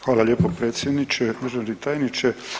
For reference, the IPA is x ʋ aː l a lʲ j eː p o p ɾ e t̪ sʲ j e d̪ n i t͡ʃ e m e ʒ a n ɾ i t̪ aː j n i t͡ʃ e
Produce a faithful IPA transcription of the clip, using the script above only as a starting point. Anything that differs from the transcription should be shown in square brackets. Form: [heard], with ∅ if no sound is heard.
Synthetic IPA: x ʋ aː l a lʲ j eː p o p ɾ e t̪ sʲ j e d̪ n i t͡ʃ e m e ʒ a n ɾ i t̪ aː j n i t͡ʃ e